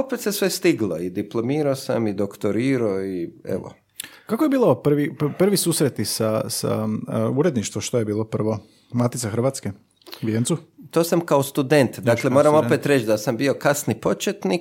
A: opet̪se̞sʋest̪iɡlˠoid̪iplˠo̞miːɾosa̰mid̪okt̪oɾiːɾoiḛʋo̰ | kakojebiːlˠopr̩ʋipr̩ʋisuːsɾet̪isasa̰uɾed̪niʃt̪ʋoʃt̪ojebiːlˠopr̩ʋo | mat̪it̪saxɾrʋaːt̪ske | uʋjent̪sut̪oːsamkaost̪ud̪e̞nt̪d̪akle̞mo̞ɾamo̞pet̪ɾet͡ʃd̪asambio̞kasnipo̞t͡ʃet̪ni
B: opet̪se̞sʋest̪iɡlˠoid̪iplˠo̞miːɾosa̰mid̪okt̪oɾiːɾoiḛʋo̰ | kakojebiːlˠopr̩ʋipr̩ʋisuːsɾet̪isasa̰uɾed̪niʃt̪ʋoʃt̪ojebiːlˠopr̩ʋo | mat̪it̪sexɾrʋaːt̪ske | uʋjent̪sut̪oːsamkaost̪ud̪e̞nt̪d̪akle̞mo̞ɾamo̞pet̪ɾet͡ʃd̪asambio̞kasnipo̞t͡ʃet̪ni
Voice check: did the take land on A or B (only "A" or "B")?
A